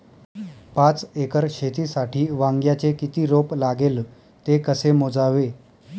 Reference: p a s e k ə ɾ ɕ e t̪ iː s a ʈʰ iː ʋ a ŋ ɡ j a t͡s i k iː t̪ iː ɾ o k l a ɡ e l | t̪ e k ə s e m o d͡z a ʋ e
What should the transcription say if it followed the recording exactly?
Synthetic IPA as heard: p a t͡s e k ə ɾ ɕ e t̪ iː s a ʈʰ iː ʋ a ŋ ɡ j a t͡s e k i t̪ iː ɾ o p l a ɡ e l | t̪ e k ə s e m o d͡z a ʋ e

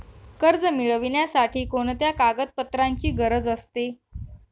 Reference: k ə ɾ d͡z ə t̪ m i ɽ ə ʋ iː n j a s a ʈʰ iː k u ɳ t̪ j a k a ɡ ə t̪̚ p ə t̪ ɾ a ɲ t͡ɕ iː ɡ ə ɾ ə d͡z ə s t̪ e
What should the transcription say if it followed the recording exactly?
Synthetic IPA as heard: k ə ɾ d͡z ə m i ɭ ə ʋ i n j a s a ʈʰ iː k o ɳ t̪ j a k a ɡ ə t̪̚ p ə t̪ ɾ a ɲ t͡ɕ iː ɡ ə ɾ ə d͡z ə s t̪ e

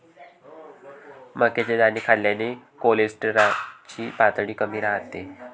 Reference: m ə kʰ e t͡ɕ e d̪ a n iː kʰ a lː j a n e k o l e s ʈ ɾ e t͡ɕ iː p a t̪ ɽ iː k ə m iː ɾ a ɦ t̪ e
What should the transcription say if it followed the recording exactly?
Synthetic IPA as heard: m ə k e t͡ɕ e d̪ a n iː kʰ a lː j a n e k o l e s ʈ ɾ a t͡ɕ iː p a t̪ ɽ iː k ə m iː ɾ a ɦ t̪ e

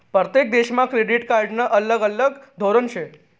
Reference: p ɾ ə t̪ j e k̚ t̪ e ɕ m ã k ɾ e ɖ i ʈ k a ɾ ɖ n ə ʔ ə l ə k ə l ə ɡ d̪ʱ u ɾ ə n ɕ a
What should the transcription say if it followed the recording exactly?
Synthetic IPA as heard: p ɾ ə t̪ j e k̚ d̪ e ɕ m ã k ɾ e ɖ i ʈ k a ɾ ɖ n ə ʔ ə l ə ɡ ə l ə ɡ d̪ʱ o ɾ ə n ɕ e

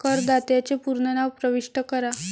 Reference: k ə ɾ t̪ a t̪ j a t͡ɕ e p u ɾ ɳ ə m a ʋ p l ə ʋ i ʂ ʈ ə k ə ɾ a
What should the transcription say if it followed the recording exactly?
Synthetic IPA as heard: k ə ɾ d̪ a t̪ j a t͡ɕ e p u ɾ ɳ ə n a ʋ p ɾ ə ʋ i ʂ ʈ ə k ə ɾ a

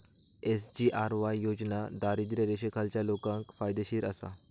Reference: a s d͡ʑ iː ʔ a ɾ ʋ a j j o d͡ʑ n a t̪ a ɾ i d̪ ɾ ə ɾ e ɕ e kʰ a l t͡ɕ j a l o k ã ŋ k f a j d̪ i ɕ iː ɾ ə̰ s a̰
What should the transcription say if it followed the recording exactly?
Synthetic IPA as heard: e s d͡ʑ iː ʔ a ɾ ʋ a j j o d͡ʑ n a d̪ a ɾ i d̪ ɾ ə ɾ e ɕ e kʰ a l t͡ɕ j a l o k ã ŋ k f a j d̪ e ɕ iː ɾ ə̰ s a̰

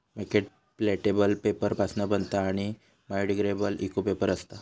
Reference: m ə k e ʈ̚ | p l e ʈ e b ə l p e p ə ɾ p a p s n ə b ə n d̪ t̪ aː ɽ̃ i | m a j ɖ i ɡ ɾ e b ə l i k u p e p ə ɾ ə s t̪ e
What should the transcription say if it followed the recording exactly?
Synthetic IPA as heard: m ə k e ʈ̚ | p l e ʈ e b ə l p e p ə ɾ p a s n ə b ə n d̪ t̪ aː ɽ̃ i | m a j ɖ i ɡ ɾ e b ə l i k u p e p ə ɾ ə s t̪ a

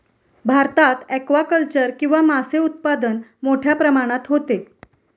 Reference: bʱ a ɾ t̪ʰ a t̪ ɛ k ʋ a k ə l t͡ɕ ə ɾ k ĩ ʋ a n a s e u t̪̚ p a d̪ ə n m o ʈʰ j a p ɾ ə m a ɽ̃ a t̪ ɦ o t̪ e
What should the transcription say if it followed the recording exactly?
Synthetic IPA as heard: bʱ a ɾ t̪ a t̪ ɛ k ʋ a k ə l t͡ɕ ə ɾ k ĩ ʋ a m a s e u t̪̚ p a d̪ ə n m o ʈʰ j a p ɾ ə m a ɽ̃ a t̪ ɦ o t̪ e

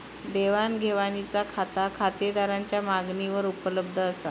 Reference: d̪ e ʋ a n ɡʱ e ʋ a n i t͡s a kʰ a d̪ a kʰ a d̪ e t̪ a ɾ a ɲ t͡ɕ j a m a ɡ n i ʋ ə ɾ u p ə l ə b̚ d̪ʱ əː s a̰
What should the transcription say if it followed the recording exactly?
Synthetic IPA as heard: d̪ e ʋ a n ɡʱ e ʋ a n i t͡s a kʰ a t̪ a kʰ a t̪ e d̪ a ɾ a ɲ t͡ɕ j a m a ɡ n i ʋ ə ɾ u p ə l ə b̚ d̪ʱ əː s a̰

